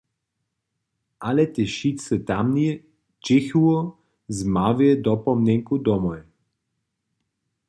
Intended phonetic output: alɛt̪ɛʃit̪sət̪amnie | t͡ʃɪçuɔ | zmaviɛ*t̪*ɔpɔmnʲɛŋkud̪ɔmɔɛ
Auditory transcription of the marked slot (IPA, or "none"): d̪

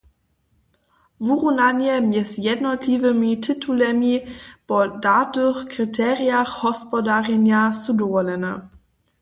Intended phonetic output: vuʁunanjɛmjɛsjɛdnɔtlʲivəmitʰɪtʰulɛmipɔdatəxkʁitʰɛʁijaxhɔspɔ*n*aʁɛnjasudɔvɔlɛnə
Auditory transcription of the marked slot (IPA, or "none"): d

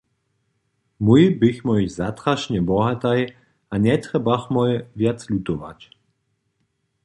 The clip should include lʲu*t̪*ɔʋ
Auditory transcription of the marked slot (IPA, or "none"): t̪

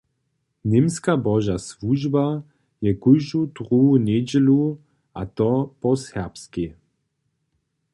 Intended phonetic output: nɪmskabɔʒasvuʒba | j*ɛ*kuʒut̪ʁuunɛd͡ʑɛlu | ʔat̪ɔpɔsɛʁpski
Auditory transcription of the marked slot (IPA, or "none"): ɛ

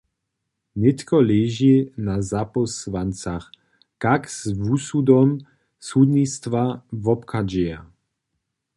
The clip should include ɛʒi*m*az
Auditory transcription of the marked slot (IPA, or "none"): n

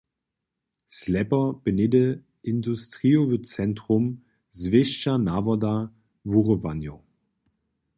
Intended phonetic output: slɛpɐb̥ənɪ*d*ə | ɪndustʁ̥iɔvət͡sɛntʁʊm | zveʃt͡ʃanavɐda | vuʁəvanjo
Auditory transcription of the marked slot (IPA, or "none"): d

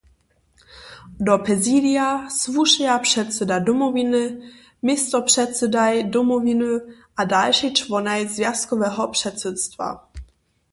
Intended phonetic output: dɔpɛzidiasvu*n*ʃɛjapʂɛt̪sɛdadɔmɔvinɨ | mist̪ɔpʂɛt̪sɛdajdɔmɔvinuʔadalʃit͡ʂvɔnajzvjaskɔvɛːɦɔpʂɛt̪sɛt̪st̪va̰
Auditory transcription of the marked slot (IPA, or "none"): none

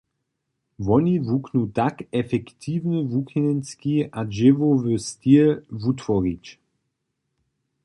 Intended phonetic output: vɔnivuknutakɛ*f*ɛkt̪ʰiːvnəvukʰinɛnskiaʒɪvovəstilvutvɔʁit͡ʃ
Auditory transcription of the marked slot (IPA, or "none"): f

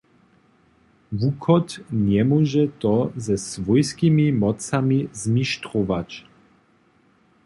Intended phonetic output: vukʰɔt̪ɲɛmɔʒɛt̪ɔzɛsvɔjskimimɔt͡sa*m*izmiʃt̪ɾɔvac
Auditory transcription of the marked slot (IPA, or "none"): m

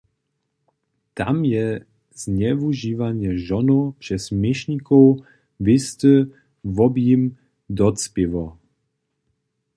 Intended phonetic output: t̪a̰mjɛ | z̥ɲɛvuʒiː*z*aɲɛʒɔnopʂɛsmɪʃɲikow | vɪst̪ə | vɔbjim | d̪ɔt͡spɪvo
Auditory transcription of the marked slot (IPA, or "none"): v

